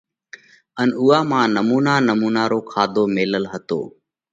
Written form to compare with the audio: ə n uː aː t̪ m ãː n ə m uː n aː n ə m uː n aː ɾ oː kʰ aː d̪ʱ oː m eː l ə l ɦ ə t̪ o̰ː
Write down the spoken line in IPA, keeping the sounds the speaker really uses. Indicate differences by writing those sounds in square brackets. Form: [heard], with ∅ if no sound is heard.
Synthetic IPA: ə n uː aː [∅] m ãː n ə m uː n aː n ə m uː n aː ɾ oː kʰ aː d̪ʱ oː m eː l ə l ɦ ə t̪ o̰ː